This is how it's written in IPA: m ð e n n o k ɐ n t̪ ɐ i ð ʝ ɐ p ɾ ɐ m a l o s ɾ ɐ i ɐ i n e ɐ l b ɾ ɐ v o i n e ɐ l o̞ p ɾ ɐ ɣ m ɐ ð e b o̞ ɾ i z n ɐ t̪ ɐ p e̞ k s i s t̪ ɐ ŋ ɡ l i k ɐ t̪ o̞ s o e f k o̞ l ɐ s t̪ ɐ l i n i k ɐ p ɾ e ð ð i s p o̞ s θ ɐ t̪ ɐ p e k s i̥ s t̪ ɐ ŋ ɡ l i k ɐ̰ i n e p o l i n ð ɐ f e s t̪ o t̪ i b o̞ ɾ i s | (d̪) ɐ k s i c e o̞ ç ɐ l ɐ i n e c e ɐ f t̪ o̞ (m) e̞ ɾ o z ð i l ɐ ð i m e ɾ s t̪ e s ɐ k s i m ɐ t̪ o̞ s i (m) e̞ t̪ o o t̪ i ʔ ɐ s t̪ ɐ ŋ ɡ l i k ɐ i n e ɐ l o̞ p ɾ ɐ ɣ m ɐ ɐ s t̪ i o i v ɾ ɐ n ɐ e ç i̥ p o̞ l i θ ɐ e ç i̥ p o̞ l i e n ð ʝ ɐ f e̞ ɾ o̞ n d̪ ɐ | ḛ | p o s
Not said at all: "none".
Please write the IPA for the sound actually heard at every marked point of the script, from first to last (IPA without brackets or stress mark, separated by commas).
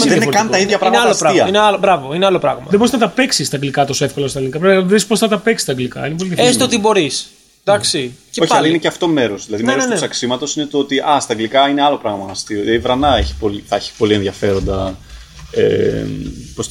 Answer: d̪, m, n